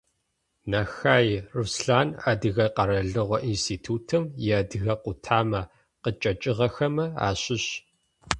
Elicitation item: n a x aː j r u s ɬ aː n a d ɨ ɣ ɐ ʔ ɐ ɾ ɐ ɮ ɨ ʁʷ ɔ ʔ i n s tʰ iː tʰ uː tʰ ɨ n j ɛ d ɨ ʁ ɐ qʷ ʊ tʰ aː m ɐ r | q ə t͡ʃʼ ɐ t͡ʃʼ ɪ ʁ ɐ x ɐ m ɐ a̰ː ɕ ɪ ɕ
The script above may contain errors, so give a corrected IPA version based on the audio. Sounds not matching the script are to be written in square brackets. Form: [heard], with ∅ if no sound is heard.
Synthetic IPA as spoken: n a x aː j r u s ɬ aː n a d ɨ ɣ ɐ [q] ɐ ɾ ɐ ɮ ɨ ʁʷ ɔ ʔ i n s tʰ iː tʰ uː tʰ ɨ [m] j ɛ d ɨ [ɣ] ɐ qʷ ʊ tʰ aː m ɐ [∅] | q ə t͡ʃʼ ɐ t͡ʃʼ ɪ ʁ ɐ x ɐ m ɐ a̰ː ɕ ɪ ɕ